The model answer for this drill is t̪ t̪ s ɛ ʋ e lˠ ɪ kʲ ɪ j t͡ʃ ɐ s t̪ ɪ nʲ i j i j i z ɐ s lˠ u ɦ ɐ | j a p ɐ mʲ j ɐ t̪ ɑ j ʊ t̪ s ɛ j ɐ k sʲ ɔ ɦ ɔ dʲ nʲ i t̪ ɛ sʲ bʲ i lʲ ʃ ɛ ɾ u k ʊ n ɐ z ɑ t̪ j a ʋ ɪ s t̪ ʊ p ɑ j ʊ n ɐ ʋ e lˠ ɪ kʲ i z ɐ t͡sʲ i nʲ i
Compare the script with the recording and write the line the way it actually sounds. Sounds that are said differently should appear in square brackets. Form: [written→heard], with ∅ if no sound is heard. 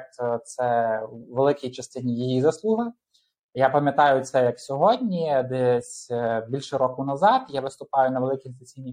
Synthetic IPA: t̪ t̪ s ɛ ʋ e lˠ ɪ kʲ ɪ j t͡ʃ ɐ s t̪ ɪ nʲ i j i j i z ɐ s lˠ u ɦ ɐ | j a p ɐ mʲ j ɐ t̪ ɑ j ʊ t̪ s ɛ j ɐ k sʲ ɔ ɦ ɔ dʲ nʲ i [t̪→d̪] ɛ sʲ bʲ i lʲ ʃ ɛ ɾ [u→ɔ] k ʊ n ɐ z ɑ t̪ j a ʋ ɪ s t̪ ʊ p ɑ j ʊ n ɐ ʋ e lˠ ɪ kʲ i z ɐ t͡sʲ i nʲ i